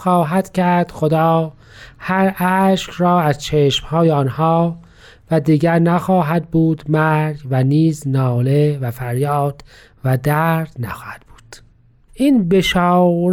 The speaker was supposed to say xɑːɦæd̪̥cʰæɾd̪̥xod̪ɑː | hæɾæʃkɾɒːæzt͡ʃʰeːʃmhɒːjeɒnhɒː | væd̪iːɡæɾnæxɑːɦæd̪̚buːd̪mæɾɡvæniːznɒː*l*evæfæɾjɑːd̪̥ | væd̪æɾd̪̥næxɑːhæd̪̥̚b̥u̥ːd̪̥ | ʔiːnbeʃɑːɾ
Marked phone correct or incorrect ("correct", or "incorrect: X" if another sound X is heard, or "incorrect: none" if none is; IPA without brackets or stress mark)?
correct